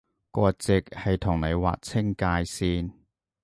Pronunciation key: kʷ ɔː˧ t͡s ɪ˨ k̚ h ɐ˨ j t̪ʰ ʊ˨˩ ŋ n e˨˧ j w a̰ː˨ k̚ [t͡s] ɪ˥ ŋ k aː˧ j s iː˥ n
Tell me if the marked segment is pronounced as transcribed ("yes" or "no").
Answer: no